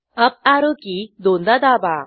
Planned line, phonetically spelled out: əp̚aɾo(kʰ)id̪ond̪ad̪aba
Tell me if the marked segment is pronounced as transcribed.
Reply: no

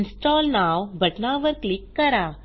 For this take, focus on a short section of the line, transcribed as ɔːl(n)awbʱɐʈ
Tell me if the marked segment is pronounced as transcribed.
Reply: yes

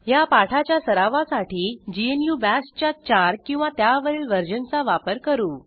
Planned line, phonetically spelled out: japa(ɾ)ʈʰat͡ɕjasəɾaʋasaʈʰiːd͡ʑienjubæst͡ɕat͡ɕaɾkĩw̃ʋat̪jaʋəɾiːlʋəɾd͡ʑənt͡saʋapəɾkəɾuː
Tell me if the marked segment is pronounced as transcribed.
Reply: no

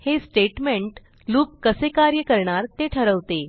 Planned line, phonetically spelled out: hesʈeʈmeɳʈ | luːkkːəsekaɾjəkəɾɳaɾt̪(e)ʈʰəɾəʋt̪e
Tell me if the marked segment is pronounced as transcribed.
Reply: yes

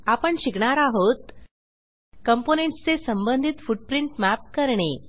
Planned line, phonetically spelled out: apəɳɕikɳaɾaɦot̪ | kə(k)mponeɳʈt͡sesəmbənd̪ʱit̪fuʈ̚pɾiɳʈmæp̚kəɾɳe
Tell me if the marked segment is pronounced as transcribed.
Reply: no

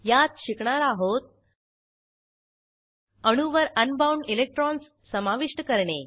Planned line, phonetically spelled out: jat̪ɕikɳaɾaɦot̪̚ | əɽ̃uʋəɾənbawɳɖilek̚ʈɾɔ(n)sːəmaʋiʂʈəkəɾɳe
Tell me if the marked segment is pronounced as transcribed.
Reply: yes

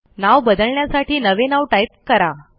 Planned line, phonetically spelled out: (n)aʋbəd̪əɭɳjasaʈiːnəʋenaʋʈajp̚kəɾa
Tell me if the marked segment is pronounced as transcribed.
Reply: yes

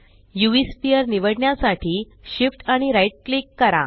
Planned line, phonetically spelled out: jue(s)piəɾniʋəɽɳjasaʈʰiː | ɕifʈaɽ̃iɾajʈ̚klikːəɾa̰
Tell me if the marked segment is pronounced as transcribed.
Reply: yes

